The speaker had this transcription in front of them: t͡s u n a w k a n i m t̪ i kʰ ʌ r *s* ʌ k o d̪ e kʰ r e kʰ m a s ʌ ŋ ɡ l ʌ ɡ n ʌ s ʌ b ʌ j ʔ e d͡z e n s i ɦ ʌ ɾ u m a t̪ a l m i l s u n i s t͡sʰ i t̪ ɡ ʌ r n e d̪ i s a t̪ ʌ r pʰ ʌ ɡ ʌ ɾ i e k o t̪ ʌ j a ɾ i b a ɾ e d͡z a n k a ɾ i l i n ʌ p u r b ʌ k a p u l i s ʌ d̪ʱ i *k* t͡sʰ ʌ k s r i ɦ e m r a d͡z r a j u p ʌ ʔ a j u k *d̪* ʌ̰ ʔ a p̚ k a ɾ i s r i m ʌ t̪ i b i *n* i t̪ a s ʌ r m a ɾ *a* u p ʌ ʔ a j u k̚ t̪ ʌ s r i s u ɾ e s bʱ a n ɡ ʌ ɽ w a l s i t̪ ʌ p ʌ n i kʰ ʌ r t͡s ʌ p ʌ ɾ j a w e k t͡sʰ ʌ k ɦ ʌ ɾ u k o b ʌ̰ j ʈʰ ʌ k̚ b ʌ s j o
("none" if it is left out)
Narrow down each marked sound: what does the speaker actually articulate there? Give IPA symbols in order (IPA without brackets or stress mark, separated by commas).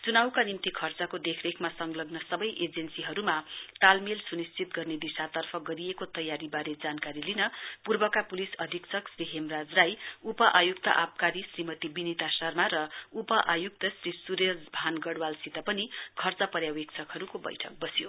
t͡s, k, t̪, n, ʌ